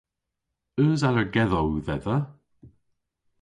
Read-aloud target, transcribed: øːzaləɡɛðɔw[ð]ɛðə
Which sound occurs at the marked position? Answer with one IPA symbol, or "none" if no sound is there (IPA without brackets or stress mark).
ð